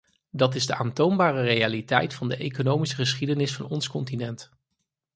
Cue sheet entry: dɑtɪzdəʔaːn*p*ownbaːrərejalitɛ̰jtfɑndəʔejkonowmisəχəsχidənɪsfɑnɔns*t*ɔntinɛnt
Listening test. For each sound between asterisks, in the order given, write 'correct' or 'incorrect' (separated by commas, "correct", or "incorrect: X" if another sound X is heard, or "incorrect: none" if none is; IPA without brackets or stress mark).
incorrect: t, incorrect: k